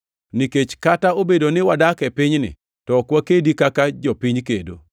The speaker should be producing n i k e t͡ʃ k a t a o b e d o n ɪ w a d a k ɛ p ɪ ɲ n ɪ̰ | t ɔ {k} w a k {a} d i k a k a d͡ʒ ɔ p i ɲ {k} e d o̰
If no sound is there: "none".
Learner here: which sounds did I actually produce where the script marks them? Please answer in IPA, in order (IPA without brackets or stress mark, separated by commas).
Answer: k, e, k